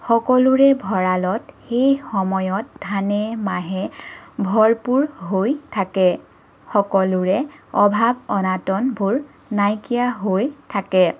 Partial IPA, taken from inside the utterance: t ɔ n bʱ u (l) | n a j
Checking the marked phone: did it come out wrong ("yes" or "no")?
yes